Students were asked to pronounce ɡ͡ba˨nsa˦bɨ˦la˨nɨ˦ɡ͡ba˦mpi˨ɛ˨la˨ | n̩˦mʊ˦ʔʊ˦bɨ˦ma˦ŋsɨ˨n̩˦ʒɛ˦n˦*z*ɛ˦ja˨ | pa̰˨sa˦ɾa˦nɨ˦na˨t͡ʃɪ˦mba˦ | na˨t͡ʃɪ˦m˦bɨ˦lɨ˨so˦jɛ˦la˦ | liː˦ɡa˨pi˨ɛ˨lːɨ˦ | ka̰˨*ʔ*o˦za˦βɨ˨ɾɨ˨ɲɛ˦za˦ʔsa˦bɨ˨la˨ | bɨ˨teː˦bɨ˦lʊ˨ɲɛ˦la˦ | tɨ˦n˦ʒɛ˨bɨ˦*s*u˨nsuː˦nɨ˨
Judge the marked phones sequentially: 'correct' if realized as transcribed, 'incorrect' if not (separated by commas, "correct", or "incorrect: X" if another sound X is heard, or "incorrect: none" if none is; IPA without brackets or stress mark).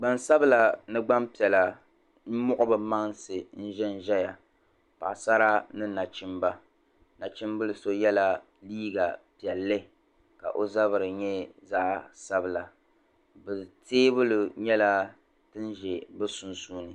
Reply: incorrect: ʒ, correct, correct